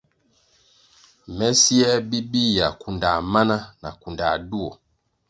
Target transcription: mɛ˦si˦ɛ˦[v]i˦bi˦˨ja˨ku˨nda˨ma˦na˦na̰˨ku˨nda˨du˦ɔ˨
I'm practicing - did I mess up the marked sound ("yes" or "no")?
yes